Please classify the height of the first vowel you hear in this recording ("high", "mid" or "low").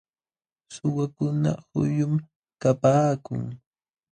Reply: high